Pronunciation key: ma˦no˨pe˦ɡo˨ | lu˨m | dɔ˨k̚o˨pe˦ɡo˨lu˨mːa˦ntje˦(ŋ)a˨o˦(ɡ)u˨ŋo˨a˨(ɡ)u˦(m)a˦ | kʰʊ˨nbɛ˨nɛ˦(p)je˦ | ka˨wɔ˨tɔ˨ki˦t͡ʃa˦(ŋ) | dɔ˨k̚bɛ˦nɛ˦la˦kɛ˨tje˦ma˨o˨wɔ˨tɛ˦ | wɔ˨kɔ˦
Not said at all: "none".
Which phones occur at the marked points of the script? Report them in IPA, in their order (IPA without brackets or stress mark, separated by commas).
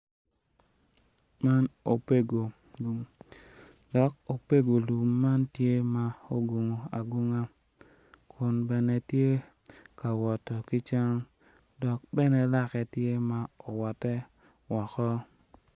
m, ɡ, ɡ, ŋ, t, ŋ